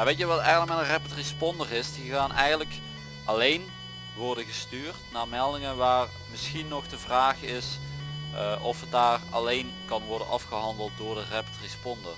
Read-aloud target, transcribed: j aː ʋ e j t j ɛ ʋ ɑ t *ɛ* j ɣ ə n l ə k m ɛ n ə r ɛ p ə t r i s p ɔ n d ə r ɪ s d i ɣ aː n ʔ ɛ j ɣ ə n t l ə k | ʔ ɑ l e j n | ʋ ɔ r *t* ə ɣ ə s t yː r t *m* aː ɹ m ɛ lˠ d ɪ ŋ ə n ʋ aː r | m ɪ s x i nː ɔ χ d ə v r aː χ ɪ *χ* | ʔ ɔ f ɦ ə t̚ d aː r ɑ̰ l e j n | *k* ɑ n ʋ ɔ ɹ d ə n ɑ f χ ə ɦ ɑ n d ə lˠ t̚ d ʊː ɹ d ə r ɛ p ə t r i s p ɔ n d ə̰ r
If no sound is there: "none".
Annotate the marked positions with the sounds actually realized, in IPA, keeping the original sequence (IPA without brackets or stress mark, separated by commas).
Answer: ɛ, d, n, s, k